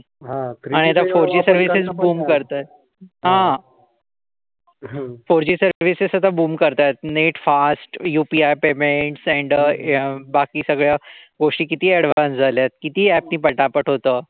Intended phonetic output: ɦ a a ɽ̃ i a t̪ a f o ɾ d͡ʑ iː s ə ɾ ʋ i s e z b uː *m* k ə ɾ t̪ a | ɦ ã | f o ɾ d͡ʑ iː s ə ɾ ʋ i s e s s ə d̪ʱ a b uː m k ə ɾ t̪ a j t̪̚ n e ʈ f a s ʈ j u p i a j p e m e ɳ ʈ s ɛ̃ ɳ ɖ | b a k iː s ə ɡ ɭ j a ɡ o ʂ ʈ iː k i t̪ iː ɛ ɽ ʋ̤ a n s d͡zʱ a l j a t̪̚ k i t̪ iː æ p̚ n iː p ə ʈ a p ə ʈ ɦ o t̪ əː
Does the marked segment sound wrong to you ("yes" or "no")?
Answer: no